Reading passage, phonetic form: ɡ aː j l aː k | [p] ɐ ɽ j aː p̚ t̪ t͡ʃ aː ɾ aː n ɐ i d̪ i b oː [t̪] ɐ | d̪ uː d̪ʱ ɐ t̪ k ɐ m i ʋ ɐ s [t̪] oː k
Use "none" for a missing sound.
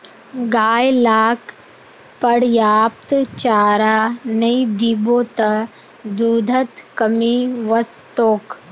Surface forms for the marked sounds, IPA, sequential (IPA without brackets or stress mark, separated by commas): p, t̪, t̪